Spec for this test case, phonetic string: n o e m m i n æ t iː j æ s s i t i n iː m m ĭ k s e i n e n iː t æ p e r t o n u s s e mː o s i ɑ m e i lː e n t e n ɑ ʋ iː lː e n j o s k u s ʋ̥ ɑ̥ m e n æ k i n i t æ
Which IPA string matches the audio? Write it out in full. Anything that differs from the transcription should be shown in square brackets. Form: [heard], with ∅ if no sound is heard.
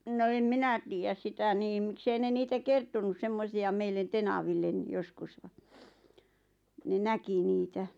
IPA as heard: n o e m m i n æ t iː j æ s s i t [æ] n iː m m ĭ k s e i n e n iː t æ [k] e r t o n u s s e mː o s i ɑ m e i lː e n t e n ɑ ʋ [i] lː e n j o s k u s ʋ̥ ɑ̥ [n] e n æ k i n [iː] t æ